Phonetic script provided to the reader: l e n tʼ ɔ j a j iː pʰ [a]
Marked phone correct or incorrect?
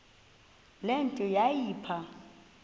correct